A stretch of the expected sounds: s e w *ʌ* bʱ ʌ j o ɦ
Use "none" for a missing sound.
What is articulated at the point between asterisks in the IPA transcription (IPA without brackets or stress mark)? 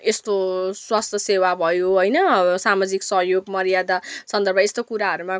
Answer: a